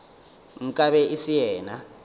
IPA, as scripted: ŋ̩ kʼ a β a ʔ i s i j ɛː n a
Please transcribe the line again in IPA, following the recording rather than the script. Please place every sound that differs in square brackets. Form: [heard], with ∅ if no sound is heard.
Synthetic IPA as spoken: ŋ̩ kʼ a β [ɛ] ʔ i s i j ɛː n a